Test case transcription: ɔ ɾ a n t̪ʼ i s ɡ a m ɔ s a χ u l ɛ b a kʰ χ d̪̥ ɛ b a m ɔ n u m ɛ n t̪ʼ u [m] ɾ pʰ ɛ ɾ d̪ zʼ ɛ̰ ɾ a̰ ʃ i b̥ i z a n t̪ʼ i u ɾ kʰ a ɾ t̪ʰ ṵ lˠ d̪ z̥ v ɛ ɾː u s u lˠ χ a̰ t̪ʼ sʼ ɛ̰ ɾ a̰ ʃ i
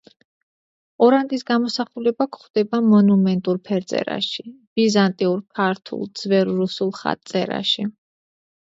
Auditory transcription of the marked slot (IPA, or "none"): none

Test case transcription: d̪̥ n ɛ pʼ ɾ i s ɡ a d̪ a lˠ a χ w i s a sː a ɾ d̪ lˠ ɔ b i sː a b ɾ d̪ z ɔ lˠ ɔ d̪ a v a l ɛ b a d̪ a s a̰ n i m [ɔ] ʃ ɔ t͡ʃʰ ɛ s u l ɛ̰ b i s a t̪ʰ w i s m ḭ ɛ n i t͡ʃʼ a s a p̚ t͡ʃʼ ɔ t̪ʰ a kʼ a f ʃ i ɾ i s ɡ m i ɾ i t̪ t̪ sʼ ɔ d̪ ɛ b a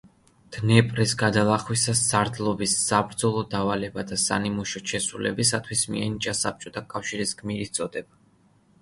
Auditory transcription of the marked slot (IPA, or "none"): u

